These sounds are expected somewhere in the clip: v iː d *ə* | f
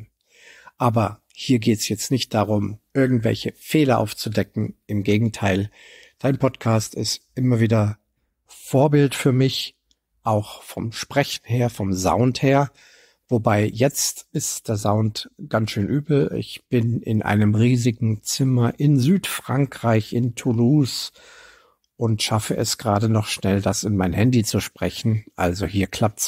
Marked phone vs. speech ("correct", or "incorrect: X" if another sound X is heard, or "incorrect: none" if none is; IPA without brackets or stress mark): incorrect: ɐ